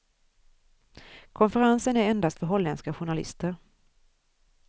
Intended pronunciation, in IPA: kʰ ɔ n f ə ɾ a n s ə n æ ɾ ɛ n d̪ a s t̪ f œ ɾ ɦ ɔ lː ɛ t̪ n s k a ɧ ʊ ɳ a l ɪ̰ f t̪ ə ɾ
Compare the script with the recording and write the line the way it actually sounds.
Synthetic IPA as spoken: kʰ ɔ n f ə ɾ a n s ə n æ ɾ ɛ n d̪ a s t̪ f œ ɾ ɦ ɔ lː ɛ n s k a ɧ ʊ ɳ a l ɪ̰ s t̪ ə ɾ